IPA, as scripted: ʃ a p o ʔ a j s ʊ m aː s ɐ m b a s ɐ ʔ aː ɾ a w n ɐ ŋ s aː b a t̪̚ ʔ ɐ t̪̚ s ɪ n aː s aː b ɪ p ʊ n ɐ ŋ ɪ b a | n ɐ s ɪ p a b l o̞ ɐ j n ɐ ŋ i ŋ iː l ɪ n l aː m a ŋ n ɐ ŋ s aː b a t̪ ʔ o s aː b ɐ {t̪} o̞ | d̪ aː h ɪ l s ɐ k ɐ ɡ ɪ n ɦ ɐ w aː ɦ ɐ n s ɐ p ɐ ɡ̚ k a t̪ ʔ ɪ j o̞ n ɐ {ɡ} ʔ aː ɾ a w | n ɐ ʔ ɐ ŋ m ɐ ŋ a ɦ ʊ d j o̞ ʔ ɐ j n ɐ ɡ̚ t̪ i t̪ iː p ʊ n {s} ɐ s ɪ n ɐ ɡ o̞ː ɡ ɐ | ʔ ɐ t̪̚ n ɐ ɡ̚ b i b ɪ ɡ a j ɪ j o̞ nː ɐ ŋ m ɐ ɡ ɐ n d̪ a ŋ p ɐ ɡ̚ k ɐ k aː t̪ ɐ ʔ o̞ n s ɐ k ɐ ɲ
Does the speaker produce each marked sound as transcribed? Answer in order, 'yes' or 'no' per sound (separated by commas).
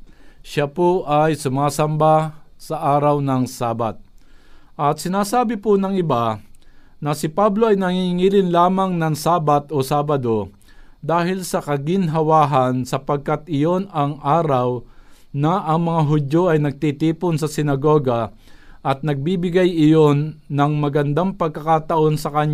no, no, yes